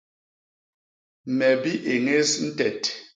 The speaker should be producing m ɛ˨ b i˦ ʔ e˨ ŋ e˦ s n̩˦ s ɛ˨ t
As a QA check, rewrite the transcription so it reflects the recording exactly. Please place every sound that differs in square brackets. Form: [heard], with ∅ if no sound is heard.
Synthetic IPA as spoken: m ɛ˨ b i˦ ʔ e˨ ŋ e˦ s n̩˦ [t] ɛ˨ t